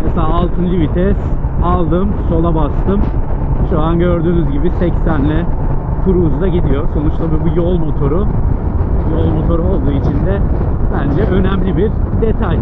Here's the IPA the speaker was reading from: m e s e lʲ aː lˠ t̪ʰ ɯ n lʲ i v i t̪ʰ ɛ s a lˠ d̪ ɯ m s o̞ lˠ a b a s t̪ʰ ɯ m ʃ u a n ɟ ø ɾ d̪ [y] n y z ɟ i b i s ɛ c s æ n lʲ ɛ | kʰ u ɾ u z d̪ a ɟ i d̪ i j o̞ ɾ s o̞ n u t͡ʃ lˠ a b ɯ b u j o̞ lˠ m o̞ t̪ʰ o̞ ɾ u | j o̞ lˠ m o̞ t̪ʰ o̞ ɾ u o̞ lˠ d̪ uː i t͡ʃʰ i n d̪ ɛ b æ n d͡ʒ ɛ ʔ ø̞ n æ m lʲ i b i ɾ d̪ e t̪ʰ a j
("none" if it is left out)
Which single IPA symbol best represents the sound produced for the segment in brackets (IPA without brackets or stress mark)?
yː